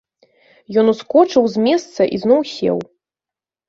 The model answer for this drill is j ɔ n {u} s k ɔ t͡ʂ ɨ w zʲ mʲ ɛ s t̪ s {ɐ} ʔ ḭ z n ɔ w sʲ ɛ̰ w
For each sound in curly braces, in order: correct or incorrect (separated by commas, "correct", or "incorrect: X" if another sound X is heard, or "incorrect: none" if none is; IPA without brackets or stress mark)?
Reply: correct, correct